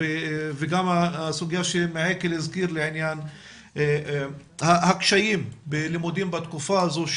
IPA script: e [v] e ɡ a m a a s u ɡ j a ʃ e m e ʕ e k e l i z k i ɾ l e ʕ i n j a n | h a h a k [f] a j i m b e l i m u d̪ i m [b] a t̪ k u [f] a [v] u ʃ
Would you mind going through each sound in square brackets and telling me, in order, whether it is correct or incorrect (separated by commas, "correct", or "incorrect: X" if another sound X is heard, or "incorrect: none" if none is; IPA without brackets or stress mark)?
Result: correct, incorrect: ʃ, correct, correct, incorrect: z